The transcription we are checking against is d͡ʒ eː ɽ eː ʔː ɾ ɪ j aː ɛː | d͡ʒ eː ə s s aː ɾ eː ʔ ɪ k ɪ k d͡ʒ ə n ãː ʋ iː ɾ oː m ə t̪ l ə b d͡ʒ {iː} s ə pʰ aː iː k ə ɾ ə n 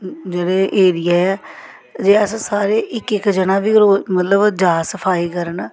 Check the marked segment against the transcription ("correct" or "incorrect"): incorrect